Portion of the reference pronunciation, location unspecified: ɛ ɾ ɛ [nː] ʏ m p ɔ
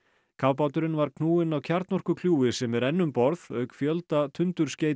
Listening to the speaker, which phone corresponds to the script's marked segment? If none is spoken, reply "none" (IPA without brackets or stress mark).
nː